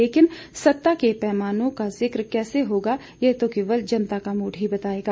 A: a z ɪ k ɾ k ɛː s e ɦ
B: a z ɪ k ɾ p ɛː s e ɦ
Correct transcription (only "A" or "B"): A